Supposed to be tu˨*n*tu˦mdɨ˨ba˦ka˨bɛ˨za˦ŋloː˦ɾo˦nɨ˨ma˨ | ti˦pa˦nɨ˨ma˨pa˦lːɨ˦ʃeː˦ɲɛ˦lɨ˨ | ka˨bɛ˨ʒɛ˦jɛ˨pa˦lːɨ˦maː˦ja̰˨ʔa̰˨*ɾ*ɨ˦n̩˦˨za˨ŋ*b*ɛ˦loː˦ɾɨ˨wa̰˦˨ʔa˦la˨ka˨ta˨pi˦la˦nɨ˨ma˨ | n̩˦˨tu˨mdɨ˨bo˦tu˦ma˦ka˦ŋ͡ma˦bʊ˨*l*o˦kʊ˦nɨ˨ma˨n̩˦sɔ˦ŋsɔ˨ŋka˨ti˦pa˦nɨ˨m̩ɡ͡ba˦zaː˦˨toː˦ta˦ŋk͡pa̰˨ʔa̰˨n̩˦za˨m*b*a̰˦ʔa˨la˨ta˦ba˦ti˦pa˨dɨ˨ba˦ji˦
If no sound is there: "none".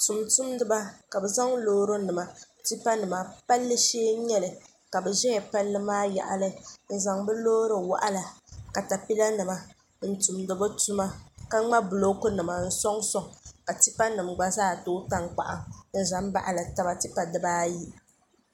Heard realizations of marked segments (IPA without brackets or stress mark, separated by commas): m, l, b, l, b